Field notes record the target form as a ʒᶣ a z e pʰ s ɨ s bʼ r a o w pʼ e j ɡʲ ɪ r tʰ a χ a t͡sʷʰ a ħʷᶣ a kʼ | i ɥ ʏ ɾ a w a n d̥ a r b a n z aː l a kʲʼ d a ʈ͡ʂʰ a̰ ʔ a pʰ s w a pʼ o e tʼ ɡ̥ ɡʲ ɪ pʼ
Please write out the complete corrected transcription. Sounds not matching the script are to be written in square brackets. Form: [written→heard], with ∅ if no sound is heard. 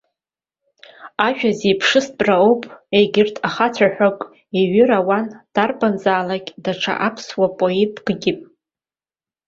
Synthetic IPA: a ʒᶣ a z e pʰ [s→ʂ] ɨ s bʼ r a o w pʼ e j ɡʲ ɪ r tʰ a χ a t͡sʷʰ a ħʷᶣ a kʼ | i ɥ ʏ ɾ a w a n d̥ a r b a n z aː l a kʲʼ d a ʈ͡ʂʰ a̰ ʔ a pʰ s w a pʼ o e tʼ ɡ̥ ɡʲ ɪ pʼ